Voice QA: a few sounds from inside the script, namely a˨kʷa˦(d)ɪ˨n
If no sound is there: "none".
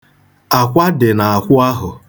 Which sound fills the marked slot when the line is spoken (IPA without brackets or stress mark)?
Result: d